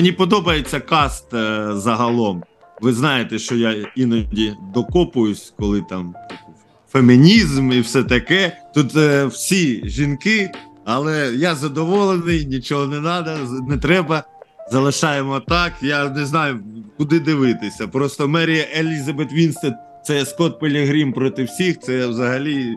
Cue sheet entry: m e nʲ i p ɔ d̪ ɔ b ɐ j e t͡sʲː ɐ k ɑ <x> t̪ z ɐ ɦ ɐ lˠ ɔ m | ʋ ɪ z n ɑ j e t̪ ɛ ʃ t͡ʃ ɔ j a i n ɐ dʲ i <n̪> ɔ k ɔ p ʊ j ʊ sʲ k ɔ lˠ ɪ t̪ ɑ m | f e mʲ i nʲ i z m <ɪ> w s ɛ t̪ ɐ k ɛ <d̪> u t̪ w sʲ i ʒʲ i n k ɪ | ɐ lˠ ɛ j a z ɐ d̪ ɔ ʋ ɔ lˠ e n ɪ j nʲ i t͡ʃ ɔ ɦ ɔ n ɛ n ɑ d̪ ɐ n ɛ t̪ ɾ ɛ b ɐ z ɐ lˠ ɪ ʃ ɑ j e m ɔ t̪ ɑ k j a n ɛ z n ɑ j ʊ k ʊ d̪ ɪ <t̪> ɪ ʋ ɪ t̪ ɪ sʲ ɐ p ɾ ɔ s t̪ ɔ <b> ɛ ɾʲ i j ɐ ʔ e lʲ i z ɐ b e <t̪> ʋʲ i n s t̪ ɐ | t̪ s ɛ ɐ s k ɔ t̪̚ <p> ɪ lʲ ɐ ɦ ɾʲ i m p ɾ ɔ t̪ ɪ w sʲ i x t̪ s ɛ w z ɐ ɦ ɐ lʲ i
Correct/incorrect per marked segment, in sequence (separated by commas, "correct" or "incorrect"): incorrect, incorrect, incorrect, incorrect, incorrect, incorrect, correct, correct